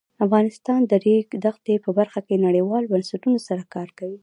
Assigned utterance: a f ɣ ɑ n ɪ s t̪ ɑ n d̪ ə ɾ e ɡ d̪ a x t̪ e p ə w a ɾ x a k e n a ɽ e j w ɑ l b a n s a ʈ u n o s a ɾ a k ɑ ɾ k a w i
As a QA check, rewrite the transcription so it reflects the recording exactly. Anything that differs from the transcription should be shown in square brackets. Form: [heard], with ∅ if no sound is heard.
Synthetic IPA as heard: a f ɣ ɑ n ɪ s t̪ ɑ n d̪ ə ɾ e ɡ d̪ a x t̪ e p ə [b] a ɾ x a k e n a ɽ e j w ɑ l b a n s a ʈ u n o s a ɾ a k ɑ ɾ k a w i